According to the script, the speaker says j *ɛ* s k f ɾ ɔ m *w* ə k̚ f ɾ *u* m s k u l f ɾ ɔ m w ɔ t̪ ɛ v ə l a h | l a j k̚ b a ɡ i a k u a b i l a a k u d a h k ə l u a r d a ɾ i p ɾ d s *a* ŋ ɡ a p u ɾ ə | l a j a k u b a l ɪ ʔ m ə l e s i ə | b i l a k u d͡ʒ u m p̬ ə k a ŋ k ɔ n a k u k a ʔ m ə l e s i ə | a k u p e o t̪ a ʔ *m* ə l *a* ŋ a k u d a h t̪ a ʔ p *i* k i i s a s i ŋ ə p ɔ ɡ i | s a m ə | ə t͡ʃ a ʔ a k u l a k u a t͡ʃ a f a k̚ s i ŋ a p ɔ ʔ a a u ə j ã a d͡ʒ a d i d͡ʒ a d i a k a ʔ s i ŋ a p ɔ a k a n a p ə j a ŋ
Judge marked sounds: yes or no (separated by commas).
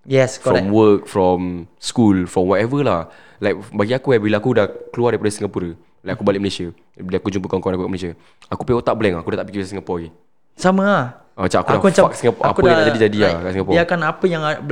yes, yes, no, no, no, no, yes